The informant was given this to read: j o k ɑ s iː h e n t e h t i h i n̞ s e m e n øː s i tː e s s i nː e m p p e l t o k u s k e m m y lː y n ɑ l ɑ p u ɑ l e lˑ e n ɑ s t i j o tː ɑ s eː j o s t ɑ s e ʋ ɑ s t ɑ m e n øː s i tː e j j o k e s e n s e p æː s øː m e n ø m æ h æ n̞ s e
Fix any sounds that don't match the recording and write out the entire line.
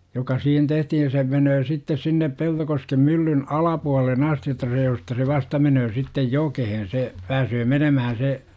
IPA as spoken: j o k ɑ s iː h e n t e h t i h i n̞ s e m e n øː s i tː e s s i nː e p p e l t o k o s k e m m y lː y n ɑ l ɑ p u ɑ l e lˑ e n ɑ s t i j o tː ɑ s eː j o s t ɑ s e ʋ ɑ s t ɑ m e n øː s i tː e j j o k e h e n s e p æː s øː m e n ø m æ h æ n̞ s e